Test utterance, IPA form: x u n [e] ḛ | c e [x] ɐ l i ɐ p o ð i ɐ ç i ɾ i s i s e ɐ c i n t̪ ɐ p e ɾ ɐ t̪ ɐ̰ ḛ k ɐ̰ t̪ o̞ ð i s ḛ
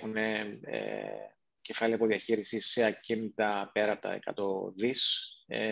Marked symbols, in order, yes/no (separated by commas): yes, no